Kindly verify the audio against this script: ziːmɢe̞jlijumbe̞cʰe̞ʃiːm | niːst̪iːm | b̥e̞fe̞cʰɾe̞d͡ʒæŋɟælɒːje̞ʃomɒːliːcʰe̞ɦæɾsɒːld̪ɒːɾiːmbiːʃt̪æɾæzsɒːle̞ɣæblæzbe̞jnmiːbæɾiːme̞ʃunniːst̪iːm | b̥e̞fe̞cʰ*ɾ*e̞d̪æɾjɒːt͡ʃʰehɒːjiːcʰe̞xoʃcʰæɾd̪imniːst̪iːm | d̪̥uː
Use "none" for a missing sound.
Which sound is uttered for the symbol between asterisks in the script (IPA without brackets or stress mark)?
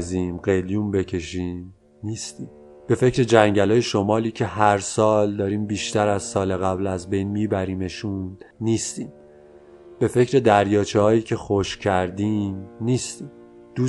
ɾ